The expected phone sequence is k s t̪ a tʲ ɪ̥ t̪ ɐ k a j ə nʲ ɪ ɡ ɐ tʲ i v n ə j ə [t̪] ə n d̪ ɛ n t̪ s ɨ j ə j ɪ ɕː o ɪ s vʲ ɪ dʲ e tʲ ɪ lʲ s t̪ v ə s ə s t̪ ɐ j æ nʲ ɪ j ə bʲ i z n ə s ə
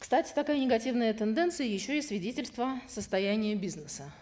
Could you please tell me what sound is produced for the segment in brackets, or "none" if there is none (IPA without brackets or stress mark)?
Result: t̪